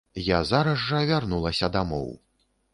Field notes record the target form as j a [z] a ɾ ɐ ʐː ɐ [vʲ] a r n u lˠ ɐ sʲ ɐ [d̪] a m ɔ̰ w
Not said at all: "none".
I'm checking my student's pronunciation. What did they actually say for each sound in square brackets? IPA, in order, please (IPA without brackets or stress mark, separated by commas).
z, vʲ, d̪